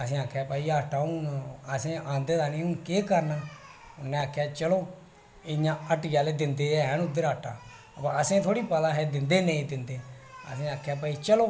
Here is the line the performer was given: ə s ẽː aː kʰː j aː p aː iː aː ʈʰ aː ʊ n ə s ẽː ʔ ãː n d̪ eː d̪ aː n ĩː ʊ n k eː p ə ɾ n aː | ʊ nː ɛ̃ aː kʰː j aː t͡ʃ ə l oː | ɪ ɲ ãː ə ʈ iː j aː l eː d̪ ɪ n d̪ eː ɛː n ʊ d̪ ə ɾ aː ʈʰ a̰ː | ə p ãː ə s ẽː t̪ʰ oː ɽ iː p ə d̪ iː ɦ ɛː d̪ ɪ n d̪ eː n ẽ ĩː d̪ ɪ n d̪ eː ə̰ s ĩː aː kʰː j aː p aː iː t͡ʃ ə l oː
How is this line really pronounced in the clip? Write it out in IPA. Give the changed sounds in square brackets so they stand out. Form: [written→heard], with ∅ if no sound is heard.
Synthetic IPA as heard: ə s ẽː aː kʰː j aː p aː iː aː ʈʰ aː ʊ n ə s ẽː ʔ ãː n d̪ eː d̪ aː n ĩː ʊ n k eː [p→k] ə ɾ n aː | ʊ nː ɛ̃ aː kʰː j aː t͡ʃ ə l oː | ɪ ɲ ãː ə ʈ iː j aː l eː d̪ ɪ n d̪ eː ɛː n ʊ d̪ ə ɾ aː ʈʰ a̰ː | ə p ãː ə s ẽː t̪ʰ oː ɽ iː p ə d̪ [iː→aː] ɦ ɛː d̪ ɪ n d̪ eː n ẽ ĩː d̪ ɪ n d̪ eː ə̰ s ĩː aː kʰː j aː p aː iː t͡ʃ ə l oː